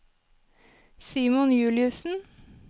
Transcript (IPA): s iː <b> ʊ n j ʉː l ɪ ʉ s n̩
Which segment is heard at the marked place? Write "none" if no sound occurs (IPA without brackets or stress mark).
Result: m